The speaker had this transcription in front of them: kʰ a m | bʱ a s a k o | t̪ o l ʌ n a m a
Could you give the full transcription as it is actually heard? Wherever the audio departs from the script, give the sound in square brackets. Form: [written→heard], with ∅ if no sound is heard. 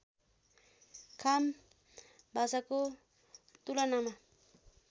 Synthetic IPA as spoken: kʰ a m | bʱ a s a k o | t̪ [o→u] l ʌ n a m a